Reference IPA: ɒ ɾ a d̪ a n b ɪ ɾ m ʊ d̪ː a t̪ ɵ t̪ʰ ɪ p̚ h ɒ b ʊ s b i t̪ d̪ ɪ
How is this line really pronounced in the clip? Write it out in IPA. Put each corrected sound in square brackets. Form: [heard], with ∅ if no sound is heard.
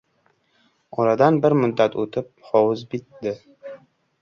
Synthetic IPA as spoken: ɒ ɾ a d̪ a n b ɪ ɾ m ʊ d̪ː a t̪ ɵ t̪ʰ ɪ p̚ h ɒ [w] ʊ [z] b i t̪ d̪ ɪ